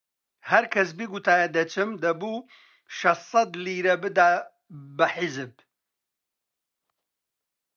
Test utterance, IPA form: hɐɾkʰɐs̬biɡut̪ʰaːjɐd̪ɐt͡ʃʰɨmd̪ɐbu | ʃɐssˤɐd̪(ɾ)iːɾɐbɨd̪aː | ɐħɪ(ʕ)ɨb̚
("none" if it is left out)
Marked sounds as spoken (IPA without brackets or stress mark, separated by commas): l, z